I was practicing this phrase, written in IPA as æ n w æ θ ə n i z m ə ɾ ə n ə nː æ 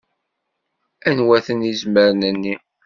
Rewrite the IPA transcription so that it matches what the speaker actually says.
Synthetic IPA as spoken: æ n w æ θ ə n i z m ə ɾ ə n ə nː i